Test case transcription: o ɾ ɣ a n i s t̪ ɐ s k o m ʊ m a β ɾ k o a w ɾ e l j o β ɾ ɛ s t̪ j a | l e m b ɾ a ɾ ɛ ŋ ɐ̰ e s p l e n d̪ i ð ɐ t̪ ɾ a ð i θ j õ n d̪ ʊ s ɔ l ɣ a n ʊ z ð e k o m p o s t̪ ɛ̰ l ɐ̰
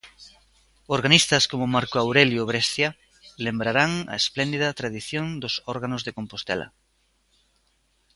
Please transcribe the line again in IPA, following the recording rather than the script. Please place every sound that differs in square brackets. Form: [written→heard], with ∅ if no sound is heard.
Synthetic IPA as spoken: o ɾ ɣ a n i s t̪ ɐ s k o m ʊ m a [β→∅] ɾ k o a w ɾ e l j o β ɾ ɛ s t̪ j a | l e m b ɾ a ɾ [ɛ→a] ŋ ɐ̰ e s p l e n d̪ i ð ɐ t̪ ɾ a ð i θ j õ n d̪ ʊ s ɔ [l→ɾ] ɣ a n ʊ z ð e k o m p o s t̪ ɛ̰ l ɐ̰